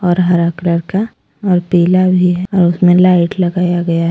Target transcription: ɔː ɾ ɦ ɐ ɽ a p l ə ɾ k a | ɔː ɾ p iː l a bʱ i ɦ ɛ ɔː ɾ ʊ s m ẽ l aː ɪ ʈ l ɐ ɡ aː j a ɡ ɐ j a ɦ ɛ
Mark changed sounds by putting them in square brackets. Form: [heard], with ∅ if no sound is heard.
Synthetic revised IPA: ɔː ɾ ɦ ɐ [ɾ] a [k] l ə ɾ k a | ɔː ɾ p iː l a bʱ i ɦ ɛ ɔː ɾ ʊ s m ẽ l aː ɪ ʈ l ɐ ɡ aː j a ɡ ɐ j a ɦ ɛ